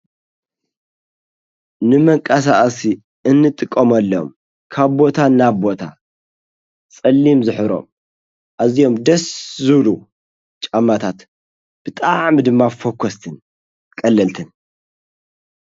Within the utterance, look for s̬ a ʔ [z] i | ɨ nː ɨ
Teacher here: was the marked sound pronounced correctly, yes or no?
no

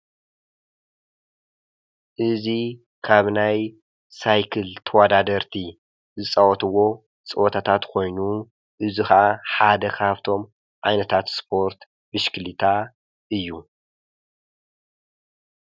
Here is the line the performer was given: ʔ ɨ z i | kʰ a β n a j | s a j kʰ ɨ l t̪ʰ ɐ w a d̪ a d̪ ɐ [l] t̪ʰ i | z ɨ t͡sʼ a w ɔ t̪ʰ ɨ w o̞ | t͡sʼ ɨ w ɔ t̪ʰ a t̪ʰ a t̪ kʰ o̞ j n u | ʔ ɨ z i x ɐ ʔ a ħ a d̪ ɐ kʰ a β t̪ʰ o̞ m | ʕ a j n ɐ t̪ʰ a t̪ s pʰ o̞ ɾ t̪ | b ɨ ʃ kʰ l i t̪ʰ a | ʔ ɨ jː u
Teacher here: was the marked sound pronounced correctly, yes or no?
no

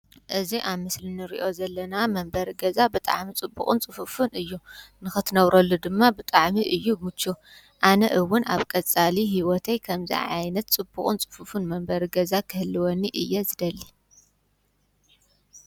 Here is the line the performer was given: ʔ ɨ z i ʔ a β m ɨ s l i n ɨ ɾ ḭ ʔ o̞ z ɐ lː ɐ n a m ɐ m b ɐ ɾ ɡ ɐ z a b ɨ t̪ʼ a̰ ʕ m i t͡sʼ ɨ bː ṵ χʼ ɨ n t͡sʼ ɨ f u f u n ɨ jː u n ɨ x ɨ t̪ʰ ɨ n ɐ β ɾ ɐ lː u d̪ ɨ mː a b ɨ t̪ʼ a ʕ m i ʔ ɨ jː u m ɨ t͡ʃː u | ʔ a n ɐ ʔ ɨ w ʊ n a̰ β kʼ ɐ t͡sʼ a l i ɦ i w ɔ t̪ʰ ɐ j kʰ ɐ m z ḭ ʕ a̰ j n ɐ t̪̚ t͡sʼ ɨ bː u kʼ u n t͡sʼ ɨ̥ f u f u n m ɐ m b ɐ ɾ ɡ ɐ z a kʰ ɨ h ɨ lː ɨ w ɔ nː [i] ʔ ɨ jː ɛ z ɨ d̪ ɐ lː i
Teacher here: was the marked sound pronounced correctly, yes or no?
yes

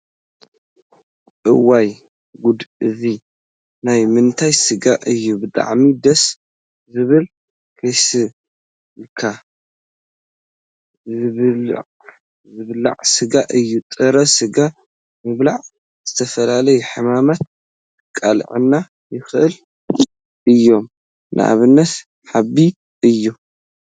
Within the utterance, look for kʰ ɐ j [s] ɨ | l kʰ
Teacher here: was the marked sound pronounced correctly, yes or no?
yes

